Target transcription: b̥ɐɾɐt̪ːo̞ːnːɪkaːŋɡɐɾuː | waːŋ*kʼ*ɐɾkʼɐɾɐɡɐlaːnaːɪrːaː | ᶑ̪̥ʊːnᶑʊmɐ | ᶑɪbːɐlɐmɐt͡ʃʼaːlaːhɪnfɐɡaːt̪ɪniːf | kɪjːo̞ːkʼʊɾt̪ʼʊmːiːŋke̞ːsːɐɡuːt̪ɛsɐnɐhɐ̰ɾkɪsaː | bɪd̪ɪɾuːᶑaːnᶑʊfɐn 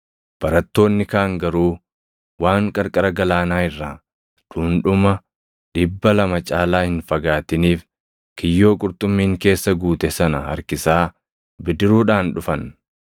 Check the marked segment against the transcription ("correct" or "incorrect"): correct